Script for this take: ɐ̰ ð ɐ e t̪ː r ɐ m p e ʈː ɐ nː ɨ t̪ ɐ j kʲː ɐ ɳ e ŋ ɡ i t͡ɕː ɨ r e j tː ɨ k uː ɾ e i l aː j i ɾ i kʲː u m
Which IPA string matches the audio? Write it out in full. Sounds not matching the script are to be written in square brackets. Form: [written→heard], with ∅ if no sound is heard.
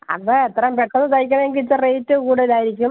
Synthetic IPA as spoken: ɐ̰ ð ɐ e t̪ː r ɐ m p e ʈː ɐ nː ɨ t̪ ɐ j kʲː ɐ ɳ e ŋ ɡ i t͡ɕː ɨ r e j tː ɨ k uː [ɾ→ɽ] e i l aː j i ɾ i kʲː u m